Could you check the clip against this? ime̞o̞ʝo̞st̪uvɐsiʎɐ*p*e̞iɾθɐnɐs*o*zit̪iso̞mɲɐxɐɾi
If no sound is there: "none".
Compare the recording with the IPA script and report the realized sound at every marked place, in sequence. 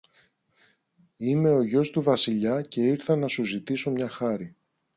c, u

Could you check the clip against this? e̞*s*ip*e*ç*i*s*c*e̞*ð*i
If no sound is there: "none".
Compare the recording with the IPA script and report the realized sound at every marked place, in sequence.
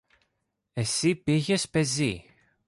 s, i, e, p, z

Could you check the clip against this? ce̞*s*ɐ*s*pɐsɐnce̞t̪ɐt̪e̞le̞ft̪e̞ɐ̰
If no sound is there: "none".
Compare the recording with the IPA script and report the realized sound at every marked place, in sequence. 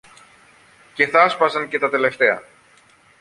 θ, s

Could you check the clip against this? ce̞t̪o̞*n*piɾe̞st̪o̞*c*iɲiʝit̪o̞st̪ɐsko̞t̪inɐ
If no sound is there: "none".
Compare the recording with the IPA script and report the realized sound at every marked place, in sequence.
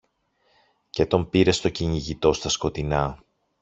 m, c

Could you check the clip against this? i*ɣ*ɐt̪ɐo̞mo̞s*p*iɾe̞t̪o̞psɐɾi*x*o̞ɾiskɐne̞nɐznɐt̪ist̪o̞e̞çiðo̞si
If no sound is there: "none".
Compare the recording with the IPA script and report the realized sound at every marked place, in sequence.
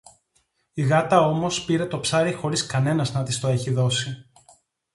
ɣ, p, x

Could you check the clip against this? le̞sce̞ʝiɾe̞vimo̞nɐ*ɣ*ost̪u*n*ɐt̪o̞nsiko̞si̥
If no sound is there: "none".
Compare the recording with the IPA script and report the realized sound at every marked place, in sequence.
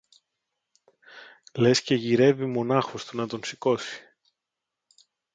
x, n

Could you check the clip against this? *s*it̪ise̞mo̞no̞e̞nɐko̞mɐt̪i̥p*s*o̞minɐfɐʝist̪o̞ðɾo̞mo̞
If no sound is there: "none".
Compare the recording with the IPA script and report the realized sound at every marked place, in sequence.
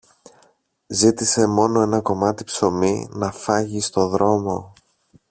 z, s

